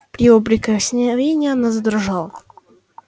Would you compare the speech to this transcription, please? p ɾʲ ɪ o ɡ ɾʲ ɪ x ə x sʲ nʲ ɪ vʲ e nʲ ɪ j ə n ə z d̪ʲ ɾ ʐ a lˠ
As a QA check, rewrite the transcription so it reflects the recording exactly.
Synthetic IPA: p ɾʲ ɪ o b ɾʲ ɪ k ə x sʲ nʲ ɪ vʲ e nʲ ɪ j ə n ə z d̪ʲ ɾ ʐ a lˠ